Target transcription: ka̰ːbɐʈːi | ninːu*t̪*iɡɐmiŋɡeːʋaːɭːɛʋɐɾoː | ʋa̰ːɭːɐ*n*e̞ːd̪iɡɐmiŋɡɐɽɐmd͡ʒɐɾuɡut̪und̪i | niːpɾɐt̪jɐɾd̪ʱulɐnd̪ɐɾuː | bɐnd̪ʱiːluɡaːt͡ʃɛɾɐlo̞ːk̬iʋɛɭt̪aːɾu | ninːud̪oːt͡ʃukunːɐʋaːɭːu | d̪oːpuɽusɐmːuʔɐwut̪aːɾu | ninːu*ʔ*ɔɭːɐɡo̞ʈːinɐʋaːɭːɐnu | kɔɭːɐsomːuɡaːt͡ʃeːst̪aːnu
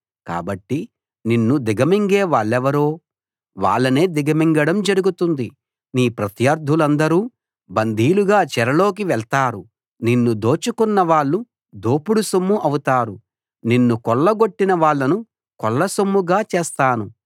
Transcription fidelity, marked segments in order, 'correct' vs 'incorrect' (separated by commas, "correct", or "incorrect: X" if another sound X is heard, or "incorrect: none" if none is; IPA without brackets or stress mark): incorrect: d̪, correct, incorrect: k